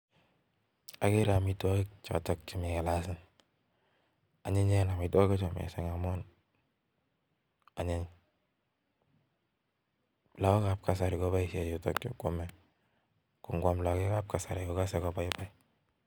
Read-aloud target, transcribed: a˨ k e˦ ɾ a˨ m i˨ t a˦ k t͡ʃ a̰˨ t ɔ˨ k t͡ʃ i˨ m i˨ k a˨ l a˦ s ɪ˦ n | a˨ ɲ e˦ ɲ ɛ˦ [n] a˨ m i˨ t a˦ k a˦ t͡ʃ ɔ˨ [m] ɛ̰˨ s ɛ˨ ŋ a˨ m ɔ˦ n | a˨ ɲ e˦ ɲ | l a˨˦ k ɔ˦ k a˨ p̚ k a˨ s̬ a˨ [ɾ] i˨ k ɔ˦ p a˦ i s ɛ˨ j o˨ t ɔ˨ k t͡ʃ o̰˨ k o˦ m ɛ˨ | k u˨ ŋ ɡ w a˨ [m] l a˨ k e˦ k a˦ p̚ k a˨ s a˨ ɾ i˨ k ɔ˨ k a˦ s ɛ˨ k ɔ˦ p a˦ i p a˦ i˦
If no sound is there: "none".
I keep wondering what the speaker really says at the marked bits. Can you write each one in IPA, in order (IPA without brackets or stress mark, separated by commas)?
n, m, ɾ, m